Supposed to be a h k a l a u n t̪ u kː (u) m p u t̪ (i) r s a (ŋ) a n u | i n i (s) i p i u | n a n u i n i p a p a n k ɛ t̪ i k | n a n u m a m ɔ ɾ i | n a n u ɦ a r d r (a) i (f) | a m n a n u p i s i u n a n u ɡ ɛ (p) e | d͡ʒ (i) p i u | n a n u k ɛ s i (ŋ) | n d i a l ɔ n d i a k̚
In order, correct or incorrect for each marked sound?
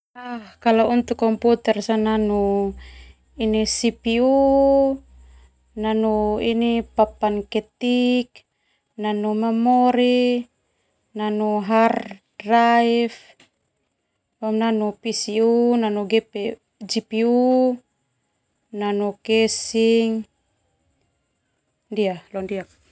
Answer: incorrect: ɔ, incorrect: ɛ, incorrect: n, correct, correct, correct, correct, correct, correct

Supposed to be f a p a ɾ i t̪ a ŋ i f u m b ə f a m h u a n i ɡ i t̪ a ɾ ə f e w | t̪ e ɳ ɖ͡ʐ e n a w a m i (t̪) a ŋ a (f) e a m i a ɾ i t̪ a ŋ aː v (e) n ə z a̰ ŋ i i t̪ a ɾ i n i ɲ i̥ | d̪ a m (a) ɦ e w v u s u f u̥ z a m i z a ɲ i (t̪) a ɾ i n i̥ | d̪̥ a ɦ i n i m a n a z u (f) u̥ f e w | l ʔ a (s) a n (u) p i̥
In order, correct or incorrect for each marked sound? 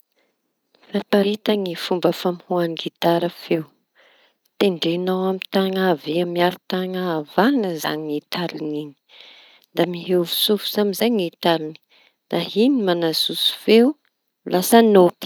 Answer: correct, incorrect: v, incorrect: a, incorrect: i, correct, incorrect: s, correct, incorrect: o

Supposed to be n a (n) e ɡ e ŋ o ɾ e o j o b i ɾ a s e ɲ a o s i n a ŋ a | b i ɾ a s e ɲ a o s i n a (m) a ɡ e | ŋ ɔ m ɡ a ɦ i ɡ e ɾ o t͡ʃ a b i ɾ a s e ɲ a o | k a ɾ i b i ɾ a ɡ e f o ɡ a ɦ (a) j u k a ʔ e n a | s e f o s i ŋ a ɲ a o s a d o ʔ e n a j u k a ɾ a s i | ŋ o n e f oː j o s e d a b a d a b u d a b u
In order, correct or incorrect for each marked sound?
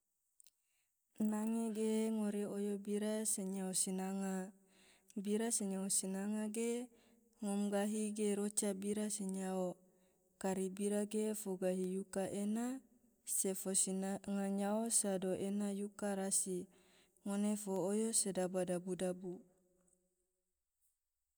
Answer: incorrect: ŋ, incorrect: ŋ, incorrect: i

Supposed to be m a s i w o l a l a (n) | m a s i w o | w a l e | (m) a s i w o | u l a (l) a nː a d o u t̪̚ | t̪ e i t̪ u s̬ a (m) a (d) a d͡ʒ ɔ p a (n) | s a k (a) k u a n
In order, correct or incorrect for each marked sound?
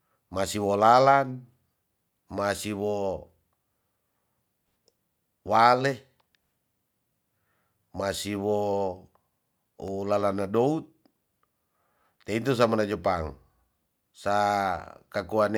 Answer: correct, correct, correct, correct, incorrect: n, incorrect: ŋ, correct

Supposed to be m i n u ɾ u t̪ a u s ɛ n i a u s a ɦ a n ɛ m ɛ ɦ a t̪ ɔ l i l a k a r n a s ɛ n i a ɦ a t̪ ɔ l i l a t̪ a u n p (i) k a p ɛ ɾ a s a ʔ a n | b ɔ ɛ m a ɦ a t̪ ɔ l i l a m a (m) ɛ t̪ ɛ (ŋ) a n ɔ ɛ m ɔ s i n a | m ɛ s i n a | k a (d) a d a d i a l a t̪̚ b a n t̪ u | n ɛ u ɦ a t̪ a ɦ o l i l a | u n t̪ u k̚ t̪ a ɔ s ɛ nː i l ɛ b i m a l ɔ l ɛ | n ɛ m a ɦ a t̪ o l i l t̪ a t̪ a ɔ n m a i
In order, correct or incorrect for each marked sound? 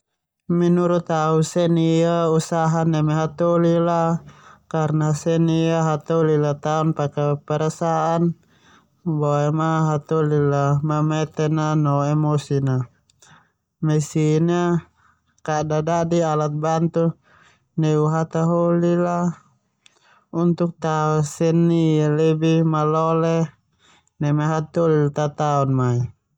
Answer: incorrect: a, correct, incorrect: n, correct

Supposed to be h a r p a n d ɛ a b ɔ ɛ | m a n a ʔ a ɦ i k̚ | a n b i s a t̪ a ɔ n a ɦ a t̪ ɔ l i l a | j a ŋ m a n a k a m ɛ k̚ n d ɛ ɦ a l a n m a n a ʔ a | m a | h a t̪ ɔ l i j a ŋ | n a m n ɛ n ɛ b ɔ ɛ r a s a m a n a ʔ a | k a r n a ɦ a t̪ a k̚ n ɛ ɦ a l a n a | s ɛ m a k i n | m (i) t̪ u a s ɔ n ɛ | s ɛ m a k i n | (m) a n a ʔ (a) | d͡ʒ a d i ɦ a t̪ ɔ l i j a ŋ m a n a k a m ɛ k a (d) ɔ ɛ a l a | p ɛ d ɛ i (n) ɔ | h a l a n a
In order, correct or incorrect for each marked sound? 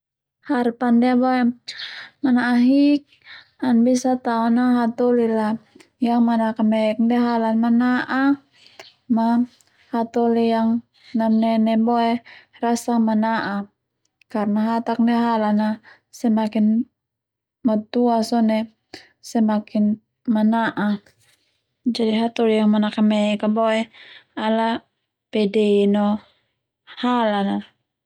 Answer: incorrect: a, correct, correct, incorrect: b, correct

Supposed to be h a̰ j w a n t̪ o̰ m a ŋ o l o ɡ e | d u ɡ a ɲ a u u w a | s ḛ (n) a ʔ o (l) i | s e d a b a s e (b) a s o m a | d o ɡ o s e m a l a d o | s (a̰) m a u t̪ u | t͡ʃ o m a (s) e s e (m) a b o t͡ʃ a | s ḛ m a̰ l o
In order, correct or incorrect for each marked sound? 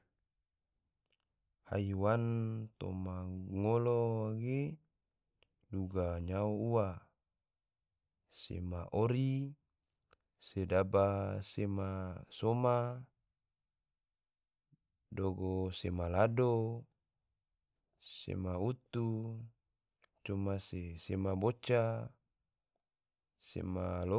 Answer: incorrect: m, incorrect: ɾ, incorrect: m, incorrect: ḛ, correct, correct

